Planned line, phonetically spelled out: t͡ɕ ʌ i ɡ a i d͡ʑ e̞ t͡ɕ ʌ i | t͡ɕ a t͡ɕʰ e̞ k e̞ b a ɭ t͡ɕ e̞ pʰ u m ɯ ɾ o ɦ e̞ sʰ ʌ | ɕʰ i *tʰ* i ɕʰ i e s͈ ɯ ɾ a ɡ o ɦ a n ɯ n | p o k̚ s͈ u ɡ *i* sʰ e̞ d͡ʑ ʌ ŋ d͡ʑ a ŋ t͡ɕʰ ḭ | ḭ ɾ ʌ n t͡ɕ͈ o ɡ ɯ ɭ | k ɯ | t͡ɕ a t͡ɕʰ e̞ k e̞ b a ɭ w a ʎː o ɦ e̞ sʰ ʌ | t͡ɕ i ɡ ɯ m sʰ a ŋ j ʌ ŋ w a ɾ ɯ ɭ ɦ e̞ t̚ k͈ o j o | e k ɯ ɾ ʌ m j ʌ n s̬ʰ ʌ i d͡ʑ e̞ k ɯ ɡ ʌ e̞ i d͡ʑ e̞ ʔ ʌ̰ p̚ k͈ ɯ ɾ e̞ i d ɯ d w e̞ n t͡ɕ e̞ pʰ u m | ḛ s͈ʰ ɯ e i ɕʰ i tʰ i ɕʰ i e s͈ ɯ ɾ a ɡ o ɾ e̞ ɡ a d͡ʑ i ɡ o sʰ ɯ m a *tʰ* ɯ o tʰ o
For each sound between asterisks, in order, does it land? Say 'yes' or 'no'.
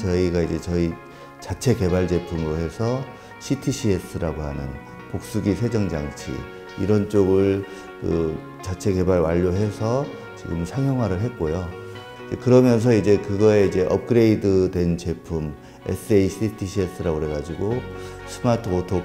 yes, yes, yes

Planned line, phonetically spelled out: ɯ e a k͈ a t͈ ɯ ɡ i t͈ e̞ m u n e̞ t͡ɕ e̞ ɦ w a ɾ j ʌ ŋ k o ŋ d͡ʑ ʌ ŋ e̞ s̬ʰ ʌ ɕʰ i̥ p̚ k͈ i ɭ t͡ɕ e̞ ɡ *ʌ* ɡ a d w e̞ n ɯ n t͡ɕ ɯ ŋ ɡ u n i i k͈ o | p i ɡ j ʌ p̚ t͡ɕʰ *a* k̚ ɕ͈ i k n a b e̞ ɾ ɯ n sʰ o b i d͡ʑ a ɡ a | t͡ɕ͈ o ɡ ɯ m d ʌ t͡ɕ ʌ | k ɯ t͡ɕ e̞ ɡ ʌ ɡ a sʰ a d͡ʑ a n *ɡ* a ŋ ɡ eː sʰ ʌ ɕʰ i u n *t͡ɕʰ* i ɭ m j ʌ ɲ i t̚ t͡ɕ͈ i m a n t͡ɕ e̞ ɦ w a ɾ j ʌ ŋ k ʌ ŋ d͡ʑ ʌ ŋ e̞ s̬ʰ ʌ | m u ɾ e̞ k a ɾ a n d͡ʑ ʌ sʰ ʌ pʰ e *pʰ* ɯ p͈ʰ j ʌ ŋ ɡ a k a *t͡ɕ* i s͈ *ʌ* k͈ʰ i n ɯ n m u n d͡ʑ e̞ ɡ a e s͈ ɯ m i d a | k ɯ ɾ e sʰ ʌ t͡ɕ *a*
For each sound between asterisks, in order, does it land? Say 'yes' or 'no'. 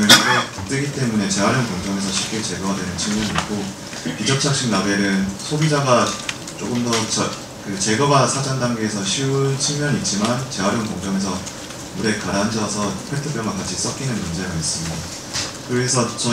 yes, yes, no, yes, no, no, yes, no

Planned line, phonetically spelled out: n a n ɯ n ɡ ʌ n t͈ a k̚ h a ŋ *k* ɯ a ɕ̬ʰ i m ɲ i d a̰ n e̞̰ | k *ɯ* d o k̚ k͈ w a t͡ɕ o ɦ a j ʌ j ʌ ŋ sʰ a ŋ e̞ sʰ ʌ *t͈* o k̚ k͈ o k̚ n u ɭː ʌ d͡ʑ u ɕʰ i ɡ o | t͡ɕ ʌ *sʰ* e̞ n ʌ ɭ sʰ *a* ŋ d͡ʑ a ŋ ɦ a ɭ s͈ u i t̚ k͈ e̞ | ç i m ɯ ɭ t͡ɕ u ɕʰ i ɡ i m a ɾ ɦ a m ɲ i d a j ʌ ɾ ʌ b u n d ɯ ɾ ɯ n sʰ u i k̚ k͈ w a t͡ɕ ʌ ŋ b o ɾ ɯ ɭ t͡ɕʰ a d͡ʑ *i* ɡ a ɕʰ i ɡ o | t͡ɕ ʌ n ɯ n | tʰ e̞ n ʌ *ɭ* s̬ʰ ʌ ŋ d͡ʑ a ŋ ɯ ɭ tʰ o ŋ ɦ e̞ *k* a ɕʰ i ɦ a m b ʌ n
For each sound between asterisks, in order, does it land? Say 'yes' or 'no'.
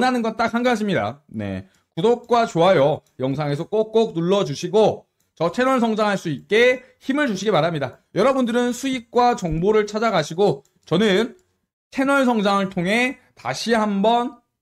no, no, no, no, no, no, yes, no

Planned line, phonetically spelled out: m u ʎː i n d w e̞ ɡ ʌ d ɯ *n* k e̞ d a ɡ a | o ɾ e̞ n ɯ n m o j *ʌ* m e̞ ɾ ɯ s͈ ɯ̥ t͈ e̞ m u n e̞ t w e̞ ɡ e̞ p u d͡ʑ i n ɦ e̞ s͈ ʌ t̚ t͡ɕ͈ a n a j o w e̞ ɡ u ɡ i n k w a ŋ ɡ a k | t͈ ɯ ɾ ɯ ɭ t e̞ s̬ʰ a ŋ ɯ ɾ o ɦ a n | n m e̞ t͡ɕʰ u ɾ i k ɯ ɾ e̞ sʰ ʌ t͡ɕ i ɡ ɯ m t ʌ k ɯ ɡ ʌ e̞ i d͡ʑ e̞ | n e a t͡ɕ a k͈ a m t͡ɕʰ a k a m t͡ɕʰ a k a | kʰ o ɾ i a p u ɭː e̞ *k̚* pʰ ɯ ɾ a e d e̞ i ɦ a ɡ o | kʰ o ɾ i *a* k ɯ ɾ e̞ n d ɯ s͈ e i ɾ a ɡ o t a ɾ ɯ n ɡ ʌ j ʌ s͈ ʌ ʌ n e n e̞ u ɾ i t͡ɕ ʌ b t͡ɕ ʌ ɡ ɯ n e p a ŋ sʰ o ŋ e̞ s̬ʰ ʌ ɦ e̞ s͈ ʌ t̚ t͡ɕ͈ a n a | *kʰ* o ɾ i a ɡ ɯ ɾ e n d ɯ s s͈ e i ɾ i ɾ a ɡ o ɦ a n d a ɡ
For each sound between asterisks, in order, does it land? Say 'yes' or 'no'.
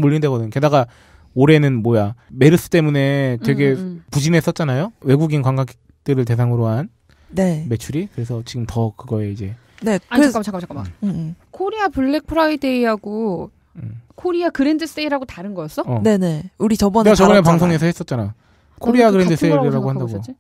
no, no, yes, yes, yes

